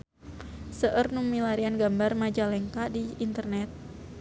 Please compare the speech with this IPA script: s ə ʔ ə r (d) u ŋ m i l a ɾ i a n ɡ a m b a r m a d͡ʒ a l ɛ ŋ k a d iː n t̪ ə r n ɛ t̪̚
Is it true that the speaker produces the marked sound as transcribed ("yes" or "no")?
no